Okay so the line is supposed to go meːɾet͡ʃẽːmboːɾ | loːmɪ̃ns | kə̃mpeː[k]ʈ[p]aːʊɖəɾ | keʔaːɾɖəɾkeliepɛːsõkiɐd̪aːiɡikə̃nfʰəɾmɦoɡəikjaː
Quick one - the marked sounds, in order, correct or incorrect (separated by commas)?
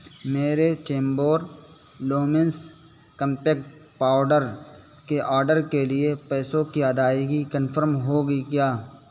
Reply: correct, correct